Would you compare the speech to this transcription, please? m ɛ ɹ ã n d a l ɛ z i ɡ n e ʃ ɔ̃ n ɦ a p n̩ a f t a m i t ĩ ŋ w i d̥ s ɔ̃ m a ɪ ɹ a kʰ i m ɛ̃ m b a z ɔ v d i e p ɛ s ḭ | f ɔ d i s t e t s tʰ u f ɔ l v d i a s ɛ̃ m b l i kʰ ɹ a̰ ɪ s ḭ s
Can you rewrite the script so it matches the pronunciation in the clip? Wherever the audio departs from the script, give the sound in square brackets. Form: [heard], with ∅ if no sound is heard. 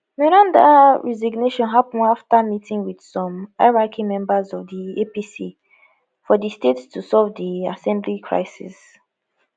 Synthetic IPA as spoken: m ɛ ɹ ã n d a [ɹ] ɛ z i ɡ n e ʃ ɔ̃ n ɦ a p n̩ a f t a m i t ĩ ŋ w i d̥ s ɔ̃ m a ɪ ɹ a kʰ i m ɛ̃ m b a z ɔ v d i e p [i] s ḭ | f ɔ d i s t e t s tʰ u [s] ɔ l v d i a s ɛ̃ m b l i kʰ ɹ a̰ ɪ s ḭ s